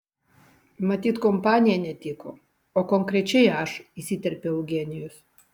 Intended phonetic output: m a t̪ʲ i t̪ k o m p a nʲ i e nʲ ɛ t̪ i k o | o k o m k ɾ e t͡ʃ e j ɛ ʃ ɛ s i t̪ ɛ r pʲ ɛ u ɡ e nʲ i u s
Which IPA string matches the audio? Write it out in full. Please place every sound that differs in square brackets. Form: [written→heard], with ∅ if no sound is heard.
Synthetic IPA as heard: m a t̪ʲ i t̪ k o m p a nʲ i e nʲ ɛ t̪ i k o | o k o [m→ŋ] k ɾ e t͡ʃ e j [ɛ→a] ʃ [ɛ→i] s i t̪ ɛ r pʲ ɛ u ɡ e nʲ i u s